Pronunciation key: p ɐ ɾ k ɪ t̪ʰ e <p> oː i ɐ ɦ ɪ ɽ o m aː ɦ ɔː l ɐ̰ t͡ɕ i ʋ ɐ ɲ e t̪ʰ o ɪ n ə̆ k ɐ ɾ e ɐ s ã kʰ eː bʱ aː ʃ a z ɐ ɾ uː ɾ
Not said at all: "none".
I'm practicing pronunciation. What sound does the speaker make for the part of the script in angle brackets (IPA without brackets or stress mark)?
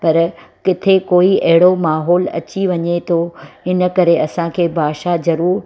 k